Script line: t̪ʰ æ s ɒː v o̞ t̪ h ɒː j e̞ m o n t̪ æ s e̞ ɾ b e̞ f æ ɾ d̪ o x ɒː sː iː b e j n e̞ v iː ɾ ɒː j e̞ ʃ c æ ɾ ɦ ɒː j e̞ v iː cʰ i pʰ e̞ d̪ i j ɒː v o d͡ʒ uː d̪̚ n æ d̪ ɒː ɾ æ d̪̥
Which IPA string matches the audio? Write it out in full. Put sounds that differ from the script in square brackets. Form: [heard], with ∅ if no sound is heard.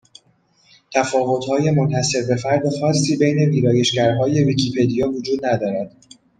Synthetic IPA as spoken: t̪ʰ æ [f] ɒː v o̞ t̪ h ɒː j e̞ m o n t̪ æ s e̞ ɾ b e̞ f æ ɾ d̪ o x ɒː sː iː b e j n e̞ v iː ɾ ɒː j e̞ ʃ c æ ɾ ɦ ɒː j e̞ v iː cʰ i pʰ e̞ d̪ i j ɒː v o d͡ʒ uː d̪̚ n æ d̪ ɒː ɾ æ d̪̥